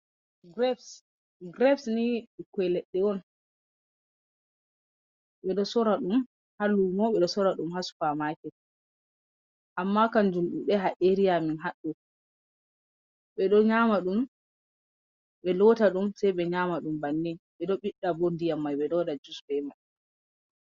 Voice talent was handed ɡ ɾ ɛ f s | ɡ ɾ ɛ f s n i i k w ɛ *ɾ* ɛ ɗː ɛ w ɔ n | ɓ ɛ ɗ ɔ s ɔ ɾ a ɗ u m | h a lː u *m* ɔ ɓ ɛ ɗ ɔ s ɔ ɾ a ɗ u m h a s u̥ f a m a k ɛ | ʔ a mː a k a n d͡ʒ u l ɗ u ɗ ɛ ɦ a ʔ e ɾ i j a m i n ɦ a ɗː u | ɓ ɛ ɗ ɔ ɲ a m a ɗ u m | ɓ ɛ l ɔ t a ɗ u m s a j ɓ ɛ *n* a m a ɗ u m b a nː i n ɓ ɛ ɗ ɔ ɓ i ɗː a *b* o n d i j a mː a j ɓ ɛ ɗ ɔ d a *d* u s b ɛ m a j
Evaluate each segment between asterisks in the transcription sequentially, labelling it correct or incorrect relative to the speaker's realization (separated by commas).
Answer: incorrect, correct, incorrect, correct, incorrect